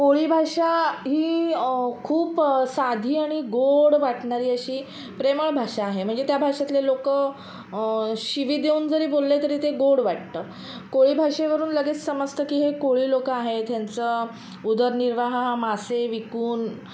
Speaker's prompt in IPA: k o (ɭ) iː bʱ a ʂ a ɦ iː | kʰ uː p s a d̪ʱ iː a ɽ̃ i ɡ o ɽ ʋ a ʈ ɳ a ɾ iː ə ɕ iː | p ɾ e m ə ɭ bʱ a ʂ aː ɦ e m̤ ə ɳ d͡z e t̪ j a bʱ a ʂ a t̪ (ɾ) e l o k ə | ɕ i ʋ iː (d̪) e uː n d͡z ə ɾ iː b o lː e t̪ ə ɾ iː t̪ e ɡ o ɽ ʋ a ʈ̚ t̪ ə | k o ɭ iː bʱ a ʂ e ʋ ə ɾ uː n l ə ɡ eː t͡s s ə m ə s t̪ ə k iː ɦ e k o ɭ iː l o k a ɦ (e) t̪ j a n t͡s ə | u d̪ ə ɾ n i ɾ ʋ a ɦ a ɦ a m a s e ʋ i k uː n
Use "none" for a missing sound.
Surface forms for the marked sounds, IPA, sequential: ɭ, l, d̪, e

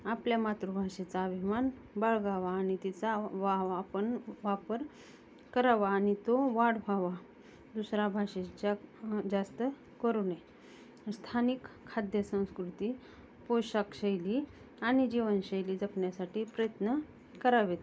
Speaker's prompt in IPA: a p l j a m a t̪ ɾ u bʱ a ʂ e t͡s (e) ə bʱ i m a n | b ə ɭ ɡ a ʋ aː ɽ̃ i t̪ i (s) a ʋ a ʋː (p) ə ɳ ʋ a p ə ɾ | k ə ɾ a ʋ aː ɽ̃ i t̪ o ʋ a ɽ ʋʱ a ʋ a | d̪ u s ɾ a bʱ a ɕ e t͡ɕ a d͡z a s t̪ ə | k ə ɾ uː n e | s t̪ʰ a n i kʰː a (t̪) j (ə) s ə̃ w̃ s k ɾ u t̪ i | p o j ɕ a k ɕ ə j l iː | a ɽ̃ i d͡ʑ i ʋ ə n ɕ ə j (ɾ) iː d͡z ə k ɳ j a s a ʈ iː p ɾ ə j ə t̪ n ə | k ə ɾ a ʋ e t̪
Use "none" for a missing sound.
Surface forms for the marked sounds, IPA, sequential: a, t͡s, p, d̪, ə, l

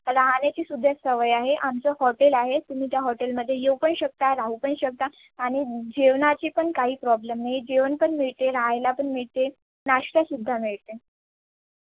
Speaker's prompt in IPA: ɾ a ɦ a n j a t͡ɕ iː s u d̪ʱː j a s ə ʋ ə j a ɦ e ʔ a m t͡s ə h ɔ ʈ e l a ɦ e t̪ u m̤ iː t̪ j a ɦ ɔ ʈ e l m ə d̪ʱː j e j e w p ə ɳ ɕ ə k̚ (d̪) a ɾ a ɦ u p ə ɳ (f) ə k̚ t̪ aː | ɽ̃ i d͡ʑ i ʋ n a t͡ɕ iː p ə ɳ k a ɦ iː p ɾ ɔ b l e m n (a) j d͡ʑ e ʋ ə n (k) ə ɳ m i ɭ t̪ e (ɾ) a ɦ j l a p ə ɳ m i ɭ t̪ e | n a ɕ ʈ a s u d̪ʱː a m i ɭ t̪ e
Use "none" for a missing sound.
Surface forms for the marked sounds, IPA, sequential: t̪, ɕ, a, p, ɾ

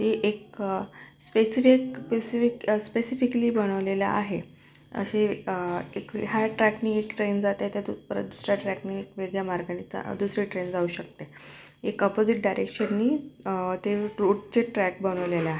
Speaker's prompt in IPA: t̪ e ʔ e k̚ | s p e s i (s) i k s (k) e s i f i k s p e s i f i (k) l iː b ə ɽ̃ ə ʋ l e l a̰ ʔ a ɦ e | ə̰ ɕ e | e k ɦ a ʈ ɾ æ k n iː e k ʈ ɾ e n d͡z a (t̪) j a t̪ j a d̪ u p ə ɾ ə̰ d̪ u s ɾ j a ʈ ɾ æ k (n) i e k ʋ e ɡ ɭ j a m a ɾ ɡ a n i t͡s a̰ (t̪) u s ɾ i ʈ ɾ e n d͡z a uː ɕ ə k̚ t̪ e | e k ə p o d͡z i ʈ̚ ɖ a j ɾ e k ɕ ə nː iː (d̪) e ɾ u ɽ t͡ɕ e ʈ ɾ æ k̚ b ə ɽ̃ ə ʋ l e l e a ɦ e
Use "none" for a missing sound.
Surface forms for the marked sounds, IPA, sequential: f, p, k, t̪, n, d̪, t̪

